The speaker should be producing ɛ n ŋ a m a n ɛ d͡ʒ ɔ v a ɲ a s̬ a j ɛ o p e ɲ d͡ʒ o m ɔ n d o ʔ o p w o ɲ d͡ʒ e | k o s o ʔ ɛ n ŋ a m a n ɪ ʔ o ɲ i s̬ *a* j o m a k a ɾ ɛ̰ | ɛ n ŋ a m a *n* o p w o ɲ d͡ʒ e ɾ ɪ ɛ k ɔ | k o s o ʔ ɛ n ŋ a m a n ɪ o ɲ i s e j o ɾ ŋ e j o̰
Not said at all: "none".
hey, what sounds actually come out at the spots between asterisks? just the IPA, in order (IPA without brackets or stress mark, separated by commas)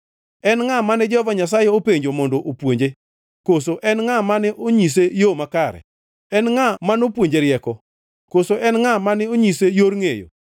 e, n